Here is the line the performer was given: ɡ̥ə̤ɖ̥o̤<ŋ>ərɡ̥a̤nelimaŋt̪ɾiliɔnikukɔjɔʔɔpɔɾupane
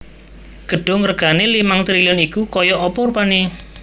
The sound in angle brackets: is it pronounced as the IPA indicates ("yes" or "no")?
yes